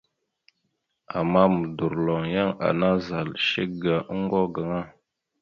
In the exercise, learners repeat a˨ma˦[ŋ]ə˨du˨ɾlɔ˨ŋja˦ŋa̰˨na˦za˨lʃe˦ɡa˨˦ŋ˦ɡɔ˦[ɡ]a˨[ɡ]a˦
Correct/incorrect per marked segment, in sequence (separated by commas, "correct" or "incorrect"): incorrect, correct, incorrect